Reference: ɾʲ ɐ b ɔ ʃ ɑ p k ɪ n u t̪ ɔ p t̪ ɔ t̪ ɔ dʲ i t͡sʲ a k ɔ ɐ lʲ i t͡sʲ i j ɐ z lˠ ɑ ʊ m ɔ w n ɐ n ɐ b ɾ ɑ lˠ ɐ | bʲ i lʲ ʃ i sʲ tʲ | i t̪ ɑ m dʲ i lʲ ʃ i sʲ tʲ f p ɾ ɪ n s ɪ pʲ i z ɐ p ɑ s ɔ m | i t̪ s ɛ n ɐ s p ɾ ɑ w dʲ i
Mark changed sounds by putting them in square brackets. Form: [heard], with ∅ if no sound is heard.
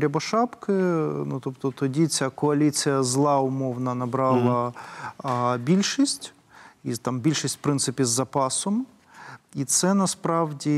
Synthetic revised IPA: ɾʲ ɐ b ɔ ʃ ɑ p k ɪ n u t̪ ɔ p t̪ ɔ t̪ ɔ dʲ i t͡sʲ a k ɔ ɐ lʲ i t͡sʲ i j ɐ z lˠ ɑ ʊ m ɔ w n ɐ n ɐ b ɾ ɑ lˠ ɐ | bʲ i lʲ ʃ i sʲ tʲ | i t̪ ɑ m [bʲ] i lʲ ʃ i sʲ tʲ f p ɾ ɪ n s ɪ pʲ i [zː] ɐ p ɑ s ɔ m | i t̪ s ɛ n ɐ s p ɾ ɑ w dʲ i